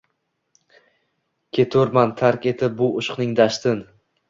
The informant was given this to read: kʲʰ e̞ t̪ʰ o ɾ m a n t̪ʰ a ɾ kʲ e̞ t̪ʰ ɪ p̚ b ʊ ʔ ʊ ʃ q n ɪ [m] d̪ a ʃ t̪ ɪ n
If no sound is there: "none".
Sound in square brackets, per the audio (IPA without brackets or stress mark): ŋ